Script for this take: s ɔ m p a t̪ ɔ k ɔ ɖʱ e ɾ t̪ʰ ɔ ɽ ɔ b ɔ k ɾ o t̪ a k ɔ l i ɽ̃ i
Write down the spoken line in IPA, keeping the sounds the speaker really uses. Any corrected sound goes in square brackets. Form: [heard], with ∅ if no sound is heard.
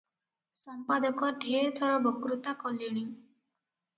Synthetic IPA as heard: s ɔ m p a [d̪] ɔ k ɔ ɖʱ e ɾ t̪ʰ ɔ [ɾ] ɔ b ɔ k ɾ [u] t̪ a k ɔ l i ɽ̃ i